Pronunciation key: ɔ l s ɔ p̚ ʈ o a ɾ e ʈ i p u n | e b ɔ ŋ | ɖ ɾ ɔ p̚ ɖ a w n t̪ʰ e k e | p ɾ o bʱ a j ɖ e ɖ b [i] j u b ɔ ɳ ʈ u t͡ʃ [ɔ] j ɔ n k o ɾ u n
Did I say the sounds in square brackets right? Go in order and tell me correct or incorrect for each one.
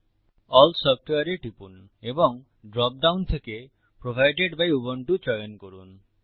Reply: incorrect, correct

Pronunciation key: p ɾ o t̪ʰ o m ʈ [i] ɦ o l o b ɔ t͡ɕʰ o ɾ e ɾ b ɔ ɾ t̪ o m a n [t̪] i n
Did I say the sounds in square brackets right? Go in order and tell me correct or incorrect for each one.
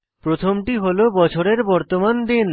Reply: correct, incorrect

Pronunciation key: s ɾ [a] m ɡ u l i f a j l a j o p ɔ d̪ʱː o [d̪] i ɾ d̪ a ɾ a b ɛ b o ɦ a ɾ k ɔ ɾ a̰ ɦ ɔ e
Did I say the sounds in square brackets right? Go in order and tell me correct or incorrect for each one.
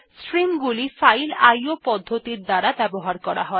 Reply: incorrect, incorrect

